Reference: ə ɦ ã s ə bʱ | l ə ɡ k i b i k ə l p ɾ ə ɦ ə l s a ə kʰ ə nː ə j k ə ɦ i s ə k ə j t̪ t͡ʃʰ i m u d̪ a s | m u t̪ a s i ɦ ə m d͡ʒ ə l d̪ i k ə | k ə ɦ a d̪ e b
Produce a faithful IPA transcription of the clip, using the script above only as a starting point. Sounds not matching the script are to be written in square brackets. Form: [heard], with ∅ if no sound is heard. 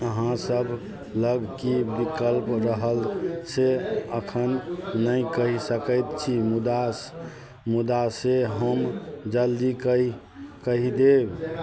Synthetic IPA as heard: ə ɦ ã s ə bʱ | l ə ɡ k i b i k ə l p ɾ ə ɦ ə l s [e] ə kʰ ə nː ə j k ə ɦ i s ə k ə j t̪ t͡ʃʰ i m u d̪ a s | m u [d̪] a s [e] ɦ ə m d͡ʒ ə l d̪ i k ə | k ə ɦ [i] d̪ e b